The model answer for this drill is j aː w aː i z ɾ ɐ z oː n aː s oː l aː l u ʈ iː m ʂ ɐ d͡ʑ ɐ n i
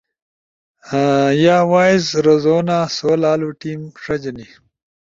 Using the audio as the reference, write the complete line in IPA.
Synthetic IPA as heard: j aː w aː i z ɾ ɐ z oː n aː s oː l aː l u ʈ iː m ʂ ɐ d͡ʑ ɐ n i